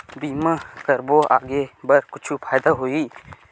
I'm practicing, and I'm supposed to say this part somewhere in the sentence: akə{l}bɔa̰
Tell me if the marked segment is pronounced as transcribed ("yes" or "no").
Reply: no